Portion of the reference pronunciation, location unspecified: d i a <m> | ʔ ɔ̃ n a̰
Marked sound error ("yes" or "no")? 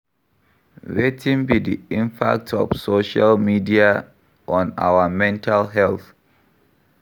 yes